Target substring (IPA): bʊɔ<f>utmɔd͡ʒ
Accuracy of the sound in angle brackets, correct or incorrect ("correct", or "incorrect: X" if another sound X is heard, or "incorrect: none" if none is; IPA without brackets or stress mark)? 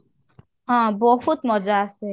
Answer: correct